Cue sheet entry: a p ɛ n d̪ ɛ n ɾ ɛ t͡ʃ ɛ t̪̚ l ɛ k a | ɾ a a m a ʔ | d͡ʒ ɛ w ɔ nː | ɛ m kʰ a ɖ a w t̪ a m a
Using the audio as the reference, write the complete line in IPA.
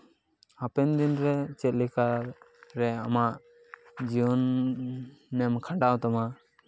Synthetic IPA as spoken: a p ɛ n d̪ i n ɾ ɛ t͡ʃ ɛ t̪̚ l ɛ k a | ɾ ɛ a m a ʔ | d͡ʒ i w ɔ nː | ɛ m kʰ a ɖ a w t̪ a m a